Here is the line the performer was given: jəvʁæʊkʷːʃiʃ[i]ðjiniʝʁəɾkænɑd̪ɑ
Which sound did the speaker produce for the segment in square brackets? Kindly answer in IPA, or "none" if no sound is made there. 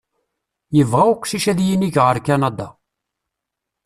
æ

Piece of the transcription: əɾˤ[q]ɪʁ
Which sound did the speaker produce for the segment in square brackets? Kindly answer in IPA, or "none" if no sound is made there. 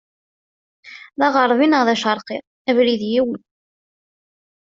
q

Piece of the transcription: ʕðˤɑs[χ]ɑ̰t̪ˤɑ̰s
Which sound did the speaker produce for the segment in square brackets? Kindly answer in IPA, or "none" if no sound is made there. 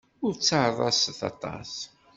θ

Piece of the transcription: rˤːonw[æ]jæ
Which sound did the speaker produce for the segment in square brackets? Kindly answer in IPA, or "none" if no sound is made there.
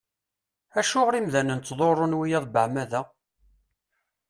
i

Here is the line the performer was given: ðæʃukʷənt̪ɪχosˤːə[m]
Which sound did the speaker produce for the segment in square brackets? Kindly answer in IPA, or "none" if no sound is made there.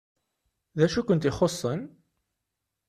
n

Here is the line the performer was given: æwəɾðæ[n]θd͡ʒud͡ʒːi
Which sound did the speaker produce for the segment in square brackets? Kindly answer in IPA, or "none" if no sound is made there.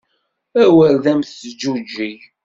m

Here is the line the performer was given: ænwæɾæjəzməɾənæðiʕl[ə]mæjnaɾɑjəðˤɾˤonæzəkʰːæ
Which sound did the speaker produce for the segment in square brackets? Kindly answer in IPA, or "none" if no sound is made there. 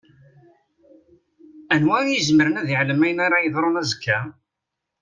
ə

